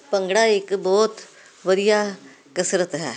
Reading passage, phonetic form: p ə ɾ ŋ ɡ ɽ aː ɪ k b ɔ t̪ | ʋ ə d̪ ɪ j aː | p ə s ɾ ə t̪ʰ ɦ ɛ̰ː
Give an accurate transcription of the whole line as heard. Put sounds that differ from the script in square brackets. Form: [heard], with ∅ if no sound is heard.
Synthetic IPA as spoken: p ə [∅] ŋ ɡ ɽ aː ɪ k b [ɔː] t̪ | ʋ ə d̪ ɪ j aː | [k] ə s ɾ ə [t̪] ɦ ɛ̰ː